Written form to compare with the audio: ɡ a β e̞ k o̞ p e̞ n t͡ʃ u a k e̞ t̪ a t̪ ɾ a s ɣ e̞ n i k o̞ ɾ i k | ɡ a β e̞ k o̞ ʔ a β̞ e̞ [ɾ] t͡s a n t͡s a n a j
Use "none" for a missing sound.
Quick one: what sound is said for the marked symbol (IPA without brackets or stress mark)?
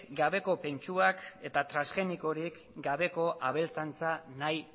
l